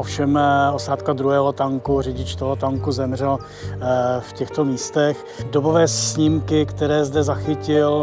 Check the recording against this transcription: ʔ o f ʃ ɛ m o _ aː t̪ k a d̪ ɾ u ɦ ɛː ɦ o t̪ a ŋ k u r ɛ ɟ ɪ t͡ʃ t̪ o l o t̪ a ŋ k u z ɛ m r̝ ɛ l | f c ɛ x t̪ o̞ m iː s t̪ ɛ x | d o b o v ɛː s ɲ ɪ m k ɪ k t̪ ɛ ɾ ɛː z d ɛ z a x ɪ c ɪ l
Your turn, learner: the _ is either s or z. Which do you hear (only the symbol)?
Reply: s